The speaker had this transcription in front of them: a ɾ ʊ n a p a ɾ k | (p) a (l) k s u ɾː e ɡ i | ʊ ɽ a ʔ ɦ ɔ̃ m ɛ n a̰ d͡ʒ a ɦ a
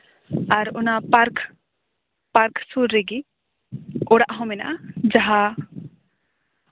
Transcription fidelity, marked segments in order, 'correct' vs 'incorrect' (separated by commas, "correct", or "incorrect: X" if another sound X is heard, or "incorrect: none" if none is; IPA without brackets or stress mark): correct, incorrect: ɾ